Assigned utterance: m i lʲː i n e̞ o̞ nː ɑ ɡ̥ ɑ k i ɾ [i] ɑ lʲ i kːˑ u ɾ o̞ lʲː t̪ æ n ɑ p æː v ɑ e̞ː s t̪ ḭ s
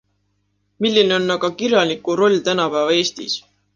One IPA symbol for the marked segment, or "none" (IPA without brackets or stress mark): j